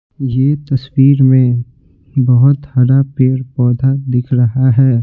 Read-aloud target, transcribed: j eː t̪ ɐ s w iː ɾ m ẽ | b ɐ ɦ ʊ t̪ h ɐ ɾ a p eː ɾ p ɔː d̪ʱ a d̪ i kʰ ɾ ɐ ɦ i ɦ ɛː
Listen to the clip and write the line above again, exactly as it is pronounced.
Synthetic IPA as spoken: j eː t̪ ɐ s w iː ɾ m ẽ | b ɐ ɦ ʊ t̪ h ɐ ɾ a p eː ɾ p ɔː d̪ʱ a d̪ ɪ kʰ ɾ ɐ ɦ a ɦ ɛː